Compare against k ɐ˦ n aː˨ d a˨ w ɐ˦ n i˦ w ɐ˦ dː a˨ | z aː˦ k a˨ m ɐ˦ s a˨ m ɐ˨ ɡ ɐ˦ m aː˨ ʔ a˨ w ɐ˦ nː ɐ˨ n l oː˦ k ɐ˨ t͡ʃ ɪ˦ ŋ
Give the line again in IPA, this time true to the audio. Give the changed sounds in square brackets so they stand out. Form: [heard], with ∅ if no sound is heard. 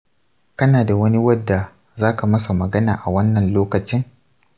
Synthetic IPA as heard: k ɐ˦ n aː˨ d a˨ w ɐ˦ n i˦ w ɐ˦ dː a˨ | z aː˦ k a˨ m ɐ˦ s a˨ m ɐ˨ ɡ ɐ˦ [n] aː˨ ʔ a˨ w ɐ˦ nː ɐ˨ n l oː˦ k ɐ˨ t͡ʃ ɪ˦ ŋ